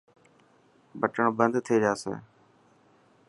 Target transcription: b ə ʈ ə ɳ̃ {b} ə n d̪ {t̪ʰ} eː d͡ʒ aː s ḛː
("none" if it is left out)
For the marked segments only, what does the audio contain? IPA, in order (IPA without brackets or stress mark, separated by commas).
b, t̪ʰ